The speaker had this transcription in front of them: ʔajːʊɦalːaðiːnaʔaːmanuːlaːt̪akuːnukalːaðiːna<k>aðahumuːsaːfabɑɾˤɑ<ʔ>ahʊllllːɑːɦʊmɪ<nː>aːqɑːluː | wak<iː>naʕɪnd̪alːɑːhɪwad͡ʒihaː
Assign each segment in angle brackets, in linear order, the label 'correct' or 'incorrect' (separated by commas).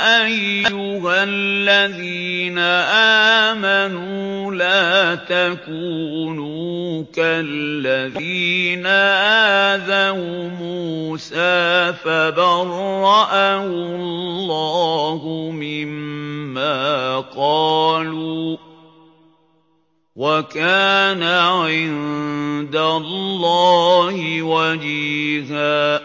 incorrect, correct, incorrect, incorrect